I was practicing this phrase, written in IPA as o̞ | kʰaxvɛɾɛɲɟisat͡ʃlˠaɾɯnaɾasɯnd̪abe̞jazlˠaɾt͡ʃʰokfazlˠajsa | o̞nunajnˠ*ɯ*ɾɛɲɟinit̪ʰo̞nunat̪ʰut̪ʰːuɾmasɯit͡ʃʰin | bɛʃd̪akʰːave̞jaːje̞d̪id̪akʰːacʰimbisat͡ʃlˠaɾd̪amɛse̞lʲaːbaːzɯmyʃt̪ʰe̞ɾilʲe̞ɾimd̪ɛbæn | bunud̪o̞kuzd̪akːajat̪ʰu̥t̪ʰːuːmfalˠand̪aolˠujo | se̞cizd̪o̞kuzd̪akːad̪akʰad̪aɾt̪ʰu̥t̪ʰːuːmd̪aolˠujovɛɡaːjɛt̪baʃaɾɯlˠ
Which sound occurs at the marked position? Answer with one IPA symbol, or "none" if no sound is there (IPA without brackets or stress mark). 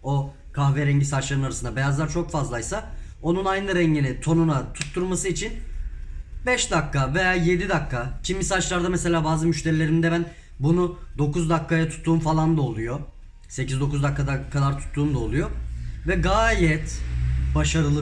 ɯ